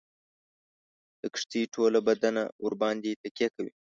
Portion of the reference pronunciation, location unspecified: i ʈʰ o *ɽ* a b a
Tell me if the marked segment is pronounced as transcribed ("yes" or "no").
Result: no